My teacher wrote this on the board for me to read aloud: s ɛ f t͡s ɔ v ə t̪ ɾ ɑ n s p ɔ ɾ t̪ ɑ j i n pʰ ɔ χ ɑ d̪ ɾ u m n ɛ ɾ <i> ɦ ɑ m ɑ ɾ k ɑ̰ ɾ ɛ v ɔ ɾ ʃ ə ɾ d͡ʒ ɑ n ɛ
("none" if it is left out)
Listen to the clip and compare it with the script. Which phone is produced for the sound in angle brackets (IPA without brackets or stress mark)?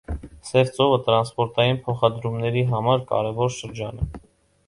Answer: i